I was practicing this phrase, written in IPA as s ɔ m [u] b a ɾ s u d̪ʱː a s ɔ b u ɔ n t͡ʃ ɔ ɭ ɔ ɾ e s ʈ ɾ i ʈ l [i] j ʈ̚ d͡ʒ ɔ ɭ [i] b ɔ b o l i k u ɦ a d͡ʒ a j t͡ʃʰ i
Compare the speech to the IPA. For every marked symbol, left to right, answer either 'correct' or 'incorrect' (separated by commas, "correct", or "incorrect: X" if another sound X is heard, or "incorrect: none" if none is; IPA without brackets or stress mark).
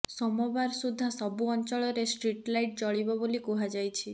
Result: incorrect: ɔ, incorrect: a, correct